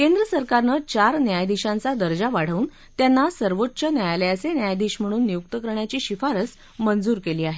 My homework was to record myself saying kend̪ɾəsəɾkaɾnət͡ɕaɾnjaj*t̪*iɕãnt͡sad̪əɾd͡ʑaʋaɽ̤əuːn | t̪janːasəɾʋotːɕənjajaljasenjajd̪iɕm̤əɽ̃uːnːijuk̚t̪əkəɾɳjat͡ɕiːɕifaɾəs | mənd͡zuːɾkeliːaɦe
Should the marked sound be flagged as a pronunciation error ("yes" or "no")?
yes